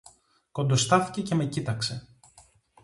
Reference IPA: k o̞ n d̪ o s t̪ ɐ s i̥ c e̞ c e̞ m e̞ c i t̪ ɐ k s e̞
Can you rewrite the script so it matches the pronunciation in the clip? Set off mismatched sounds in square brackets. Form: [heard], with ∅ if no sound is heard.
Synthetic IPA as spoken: k o̞ n d̪ o s t̪ ɐ [θ] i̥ c e̞ c e̞ m e̞ c i t̪ ɐ k s e̞